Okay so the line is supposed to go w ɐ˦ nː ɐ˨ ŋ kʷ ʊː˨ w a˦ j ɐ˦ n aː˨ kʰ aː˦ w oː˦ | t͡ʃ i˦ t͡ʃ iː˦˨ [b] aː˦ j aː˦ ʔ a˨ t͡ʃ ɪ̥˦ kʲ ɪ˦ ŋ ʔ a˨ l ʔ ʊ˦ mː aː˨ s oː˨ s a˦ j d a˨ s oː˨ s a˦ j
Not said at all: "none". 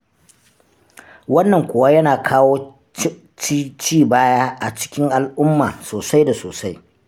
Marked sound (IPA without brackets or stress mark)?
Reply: b